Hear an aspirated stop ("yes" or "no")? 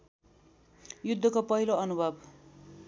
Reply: no